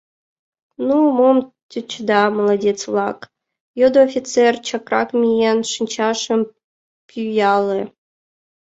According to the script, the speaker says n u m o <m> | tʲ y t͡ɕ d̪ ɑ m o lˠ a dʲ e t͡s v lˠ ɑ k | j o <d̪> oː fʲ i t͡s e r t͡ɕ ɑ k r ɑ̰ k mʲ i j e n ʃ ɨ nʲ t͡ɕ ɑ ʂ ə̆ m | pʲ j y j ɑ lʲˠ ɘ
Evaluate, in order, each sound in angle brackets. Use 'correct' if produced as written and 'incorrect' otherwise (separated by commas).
correct, correct